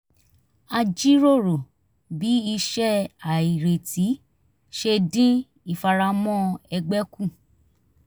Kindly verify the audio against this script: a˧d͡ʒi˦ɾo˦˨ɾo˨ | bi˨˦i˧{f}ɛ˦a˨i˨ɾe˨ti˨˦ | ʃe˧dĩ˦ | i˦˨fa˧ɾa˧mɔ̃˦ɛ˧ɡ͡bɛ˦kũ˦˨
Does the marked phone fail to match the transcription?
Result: yes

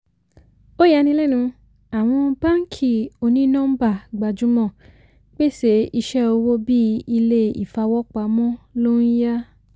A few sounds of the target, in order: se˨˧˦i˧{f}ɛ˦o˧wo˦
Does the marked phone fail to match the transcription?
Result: yes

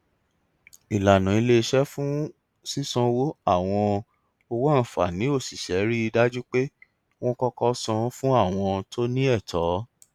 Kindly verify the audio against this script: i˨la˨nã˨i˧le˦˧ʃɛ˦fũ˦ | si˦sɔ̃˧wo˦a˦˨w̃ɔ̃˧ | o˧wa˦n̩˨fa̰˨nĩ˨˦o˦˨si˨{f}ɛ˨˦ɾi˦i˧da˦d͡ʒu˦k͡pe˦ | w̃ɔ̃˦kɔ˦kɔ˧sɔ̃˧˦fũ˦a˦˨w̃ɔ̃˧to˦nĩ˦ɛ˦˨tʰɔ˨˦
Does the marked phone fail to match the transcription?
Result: yes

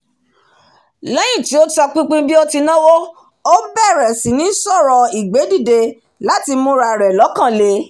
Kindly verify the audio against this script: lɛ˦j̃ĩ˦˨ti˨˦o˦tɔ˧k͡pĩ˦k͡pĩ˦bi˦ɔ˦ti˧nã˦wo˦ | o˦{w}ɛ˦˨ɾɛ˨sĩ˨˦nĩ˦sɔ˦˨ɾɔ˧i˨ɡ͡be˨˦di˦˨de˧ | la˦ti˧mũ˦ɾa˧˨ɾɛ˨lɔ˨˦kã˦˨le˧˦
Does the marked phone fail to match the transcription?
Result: yes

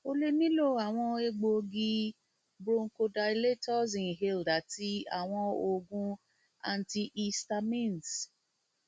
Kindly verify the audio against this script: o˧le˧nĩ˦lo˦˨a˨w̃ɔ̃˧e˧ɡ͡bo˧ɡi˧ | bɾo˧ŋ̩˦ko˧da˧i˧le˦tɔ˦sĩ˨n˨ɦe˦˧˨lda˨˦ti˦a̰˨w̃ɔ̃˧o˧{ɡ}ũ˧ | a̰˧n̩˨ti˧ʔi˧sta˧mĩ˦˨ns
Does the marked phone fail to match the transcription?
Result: no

